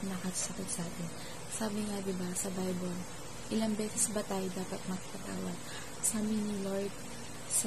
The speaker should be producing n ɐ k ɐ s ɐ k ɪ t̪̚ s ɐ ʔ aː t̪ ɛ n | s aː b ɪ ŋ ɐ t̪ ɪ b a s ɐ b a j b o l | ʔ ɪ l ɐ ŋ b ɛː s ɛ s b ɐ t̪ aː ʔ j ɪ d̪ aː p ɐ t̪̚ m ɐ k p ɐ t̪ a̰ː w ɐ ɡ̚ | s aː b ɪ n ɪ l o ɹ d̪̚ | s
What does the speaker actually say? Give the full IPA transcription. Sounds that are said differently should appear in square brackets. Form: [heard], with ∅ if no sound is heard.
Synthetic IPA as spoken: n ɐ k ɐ s ɐ k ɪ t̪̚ s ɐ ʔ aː t̪ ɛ n | s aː b ɪ ŋ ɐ [d̪] ɪ b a s ɐ b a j b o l | ʔ ɪ l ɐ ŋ b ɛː s ɛ s b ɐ t̪ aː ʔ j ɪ d̪ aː p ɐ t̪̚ m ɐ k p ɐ t̪ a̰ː w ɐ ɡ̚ | s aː b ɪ n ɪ l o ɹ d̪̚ | s